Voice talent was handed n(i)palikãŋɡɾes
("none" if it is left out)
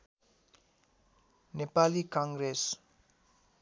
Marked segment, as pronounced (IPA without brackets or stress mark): e